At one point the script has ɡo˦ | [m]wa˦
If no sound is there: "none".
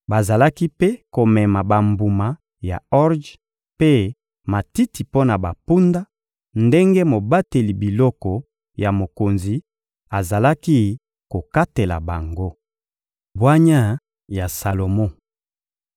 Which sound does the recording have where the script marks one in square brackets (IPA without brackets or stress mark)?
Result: b